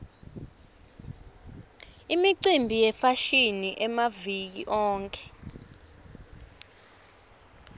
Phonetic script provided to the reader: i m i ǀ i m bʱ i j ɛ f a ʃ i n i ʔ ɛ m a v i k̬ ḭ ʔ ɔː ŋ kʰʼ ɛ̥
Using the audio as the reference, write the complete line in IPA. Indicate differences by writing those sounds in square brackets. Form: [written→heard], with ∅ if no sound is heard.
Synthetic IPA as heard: i m i ǀ i m bʱ i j ɛ f a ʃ i n i ʔ ɛ m a v i k̬ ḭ ʔ ɔː ŋ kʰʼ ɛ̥